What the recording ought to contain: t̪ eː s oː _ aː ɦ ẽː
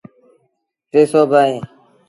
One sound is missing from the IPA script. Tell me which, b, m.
b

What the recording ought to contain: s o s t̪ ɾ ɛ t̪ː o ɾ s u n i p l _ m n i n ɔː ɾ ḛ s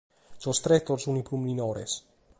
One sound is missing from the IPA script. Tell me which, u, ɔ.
u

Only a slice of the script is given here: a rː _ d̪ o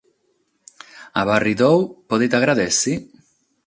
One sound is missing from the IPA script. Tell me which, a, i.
i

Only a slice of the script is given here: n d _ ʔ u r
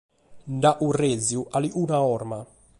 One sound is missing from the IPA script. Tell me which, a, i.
a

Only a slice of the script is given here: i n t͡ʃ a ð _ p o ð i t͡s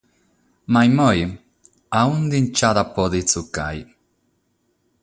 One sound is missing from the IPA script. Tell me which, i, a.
a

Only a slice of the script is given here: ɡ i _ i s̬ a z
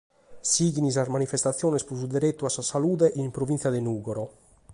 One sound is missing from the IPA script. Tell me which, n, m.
n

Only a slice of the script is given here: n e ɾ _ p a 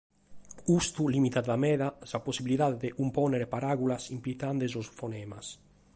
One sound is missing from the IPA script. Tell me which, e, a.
e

